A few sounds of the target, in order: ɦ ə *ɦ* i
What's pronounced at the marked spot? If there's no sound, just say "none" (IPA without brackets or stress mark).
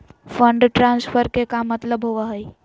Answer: none